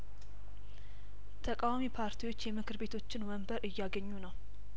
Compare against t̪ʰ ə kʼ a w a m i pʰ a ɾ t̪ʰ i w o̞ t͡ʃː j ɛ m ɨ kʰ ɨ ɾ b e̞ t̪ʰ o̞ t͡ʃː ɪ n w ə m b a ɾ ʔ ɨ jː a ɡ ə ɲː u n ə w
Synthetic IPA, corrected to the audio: t̪ʰ ə kʼ a w a m i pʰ a ɾ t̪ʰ i w o̞ t͡ʃː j ɛ m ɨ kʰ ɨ ɾ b e̞ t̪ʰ o̞ t͡ʃː ɪ n w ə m b ə ɾ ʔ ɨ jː a ɡ ə ɲː u n ə w